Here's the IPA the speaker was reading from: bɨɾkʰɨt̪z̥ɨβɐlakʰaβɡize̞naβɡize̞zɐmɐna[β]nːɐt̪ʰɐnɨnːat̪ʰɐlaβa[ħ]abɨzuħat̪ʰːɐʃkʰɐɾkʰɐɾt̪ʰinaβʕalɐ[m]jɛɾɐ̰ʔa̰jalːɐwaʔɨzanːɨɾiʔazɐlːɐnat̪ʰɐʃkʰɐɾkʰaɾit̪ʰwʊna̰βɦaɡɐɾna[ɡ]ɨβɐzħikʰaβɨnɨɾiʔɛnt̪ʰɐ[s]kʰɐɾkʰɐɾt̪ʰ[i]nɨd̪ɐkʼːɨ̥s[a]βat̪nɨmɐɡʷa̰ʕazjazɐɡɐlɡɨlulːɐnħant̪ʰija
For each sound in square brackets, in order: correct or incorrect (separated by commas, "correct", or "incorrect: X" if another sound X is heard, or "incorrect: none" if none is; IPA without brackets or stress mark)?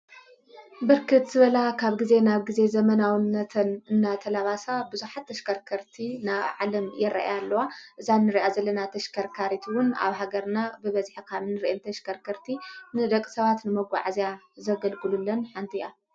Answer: incorrect: w, incorrect: s, correct, incorrect: b, incorrect: ʃ, correct, incorrect: ɐ